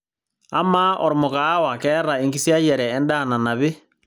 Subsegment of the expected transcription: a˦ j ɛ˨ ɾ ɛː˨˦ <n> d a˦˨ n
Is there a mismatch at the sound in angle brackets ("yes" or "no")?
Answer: no